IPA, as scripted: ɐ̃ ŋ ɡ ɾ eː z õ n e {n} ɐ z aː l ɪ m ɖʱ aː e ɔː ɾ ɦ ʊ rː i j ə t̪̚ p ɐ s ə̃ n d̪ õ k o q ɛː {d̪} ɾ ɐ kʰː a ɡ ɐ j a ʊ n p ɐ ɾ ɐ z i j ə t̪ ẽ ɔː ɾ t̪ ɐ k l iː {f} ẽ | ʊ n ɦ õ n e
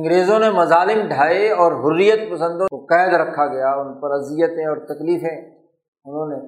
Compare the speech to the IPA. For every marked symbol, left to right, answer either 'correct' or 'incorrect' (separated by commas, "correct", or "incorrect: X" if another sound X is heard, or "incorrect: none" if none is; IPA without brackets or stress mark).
incorrect: m, correct, correct